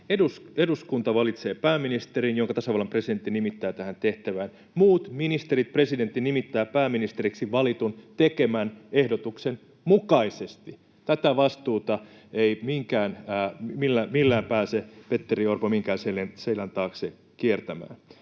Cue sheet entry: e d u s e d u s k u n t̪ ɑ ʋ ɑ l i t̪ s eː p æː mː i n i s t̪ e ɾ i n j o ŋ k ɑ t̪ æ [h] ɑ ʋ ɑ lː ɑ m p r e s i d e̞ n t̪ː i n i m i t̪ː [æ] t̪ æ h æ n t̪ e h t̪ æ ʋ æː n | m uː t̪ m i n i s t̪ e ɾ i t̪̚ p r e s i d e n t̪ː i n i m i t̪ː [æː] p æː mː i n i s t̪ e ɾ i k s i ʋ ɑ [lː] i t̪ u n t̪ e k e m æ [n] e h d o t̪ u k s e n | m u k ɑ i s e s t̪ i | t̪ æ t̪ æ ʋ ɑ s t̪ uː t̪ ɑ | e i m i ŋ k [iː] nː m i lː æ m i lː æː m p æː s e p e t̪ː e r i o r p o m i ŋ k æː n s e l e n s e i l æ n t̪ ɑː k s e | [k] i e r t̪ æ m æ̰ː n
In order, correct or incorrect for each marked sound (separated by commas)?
incorrect, incorrect, correct, incorrect, correct, incorrect, correct